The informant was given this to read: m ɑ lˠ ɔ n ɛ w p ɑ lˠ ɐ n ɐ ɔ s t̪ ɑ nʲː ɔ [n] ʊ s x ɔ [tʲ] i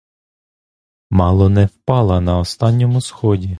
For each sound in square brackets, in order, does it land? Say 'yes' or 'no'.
no, no

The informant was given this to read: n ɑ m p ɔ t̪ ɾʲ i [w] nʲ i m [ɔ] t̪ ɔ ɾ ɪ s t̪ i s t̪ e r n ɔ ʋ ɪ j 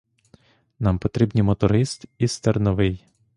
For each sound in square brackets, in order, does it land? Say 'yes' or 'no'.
no, yes

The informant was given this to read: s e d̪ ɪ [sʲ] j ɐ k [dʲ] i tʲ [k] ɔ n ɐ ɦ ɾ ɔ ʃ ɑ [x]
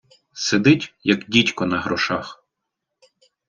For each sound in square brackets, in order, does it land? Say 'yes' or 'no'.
no, yes, yes, yes

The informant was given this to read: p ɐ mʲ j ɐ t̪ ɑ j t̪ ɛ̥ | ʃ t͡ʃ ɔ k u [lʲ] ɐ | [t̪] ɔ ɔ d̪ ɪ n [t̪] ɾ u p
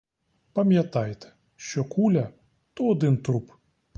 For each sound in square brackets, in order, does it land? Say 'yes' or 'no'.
yes, yes, yes

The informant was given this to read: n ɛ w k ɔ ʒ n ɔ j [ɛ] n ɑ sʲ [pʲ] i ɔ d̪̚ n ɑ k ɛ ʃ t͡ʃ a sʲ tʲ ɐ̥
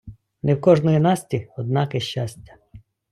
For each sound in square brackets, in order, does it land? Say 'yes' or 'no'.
no, no

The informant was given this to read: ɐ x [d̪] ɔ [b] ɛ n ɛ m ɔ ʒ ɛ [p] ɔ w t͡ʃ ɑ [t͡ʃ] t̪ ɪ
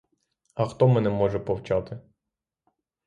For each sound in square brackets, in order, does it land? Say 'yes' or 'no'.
no, no, yes, no

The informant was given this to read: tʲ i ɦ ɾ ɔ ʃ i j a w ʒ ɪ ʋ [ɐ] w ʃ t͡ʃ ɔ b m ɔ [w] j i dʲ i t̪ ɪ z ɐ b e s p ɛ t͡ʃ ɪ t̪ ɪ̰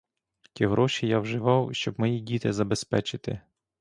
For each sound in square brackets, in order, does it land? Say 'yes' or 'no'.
no, no

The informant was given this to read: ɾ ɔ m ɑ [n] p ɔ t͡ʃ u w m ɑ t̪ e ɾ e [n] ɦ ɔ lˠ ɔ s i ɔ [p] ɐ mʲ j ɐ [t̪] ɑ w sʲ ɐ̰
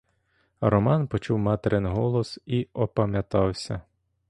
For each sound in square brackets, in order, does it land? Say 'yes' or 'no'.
yes, yes, yes, yes

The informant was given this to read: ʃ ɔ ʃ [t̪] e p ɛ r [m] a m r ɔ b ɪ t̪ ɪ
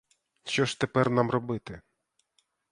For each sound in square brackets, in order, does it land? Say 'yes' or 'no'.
yes, no

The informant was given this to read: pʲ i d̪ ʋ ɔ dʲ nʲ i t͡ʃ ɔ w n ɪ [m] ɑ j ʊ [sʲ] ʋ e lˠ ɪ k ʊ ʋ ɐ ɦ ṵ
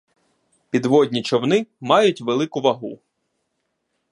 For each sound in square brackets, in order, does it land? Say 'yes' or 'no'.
yes, no

